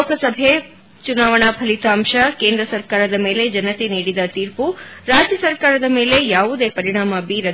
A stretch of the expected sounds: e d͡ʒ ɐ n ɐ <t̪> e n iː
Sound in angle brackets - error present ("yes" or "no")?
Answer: no